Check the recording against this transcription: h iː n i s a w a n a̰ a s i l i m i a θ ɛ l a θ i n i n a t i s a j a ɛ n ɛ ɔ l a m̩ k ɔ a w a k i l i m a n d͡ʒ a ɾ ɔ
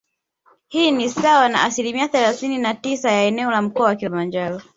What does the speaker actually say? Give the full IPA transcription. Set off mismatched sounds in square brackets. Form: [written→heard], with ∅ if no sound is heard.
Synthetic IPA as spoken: h iː n i s a w a n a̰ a s i l i m i a θ ɛ l a θ i n i n a t i s a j a ɛ n ɛ ɔ l a m̩ k ɔ a w a k i l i m a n d͡ʒ a ɾ ɔ